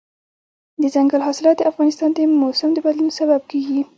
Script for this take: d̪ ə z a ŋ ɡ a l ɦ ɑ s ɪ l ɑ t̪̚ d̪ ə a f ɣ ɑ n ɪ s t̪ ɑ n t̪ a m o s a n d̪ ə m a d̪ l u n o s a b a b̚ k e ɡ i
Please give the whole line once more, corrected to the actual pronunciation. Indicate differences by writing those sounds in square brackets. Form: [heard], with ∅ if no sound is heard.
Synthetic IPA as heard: d̪ ə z a ŋ ɡ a l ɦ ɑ s ɪ l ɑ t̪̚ d̪ ə a f ɣ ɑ n ɪ s t̪ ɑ n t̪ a m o s a [m] d̪ ə [b] a d̪ l u n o s a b a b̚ k e ɡ i

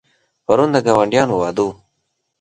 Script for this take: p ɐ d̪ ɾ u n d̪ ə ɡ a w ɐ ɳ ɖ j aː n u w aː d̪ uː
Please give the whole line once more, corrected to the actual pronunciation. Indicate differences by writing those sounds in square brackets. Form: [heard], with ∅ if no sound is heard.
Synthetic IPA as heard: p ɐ [∅] ɾ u n d̪ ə ɡ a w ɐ ɳ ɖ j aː n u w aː d̪ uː

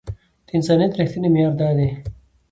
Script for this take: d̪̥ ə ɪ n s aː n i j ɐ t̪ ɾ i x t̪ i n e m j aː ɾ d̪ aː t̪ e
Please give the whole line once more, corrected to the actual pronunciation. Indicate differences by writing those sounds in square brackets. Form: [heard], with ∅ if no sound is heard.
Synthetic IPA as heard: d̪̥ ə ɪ n s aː n i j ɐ t̪ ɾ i x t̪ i n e m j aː ɾ d̪ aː [d̪] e

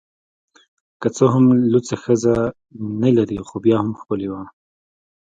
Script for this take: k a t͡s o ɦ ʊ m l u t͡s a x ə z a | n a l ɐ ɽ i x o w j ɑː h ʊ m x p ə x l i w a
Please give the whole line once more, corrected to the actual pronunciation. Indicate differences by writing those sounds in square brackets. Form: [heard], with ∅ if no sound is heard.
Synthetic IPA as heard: k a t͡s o ɦ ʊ m l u t͡s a x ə z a | n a l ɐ [ɾ] i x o [b] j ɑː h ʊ m x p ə [∅] l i w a

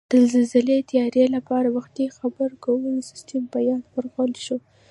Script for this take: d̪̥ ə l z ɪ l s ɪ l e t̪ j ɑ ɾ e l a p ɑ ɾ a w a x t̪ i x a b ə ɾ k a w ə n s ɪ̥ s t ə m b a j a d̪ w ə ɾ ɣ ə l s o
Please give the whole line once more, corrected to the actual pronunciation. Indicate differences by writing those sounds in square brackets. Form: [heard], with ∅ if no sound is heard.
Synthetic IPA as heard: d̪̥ ə l z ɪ l [z] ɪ l e t̪ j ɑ ɾ e l a p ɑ ɾ a w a x t̪ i x a b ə ɾ k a w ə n s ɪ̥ s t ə m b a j [ɑ] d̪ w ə ɾ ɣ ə l [ʃ] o

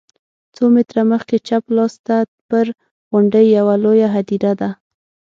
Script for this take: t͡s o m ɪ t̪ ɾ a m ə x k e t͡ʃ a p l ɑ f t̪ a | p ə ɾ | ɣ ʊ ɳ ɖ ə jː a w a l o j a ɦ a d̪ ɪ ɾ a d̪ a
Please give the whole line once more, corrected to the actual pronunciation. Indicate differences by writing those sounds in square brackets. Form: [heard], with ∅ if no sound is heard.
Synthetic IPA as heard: t͡s o m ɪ t̪ ɾ a m ə x k e t͡ʃ a p l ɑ [s] t̪ a | p ə ɾ | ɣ ʊ ɳ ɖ ə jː a w a l o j a ɦ a d̪ [i] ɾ a d̪ a

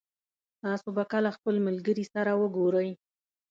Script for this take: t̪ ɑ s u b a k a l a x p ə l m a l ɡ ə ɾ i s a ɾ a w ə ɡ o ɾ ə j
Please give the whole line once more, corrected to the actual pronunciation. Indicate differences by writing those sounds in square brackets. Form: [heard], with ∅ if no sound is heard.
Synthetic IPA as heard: t̪ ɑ s [o] b a k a l a x p ə l m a l ɡ ə ɾ i s a ɾ a w ə ɡ o ɾ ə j

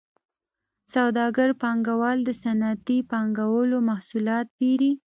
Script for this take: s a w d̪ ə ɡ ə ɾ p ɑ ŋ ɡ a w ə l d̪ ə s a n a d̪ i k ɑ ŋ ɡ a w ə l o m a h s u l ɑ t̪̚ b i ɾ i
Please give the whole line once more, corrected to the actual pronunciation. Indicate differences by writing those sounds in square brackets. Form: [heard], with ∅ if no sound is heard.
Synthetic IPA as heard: s a w d̪ [ɑ] ɡ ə ɾ p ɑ ŋ ɡ a w [ɑ] l d̪ ə s a n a [t̪] i [p] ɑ ŋ ɡ a w ə l o m a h s u l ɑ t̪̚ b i ɾ i

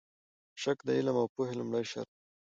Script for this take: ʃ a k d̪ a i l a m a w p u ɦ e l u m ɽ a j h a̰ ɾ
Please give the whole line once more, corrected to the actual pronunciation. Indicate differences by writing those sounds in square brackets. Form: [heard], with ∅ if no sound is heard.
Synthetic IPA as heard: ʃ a k d̪ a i l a m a w p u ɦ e l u m ɽ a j [ʃ] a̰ ɾ

